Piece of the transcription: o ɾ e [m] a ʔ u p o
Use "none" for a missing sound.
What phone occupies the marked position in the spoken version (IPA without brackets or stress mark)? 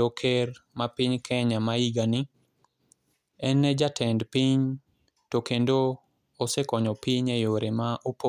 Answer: m